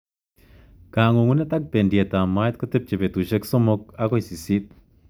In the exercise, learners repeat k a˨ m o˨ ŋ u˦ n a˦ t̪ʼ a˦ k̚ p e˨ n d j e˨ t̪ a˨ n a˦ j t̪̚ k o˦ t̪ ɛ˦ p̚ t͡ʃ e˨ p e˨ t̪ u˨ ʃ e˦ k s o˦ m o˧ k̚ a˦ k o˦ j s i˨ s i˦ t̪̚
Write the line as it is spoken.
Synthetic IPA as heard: k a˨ ŋ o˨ ŋ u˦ n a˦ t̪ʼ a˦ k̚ p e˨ n d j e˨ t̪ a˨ m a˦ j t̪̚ k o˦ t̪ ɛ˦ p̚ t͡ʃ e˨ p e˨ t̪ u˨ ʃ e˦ k s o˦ m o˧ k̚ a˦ k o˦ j s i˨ s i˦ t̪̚